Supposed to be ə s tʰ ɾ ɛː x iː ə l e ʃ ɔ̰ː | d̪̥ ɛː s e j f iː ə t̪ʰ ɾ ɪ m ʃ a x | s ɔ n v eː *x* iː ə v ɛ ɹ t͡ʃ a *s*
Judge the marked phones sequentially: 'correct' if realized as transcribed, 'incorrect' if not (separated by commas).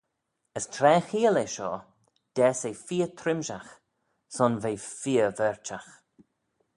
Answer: incorrect, incorrect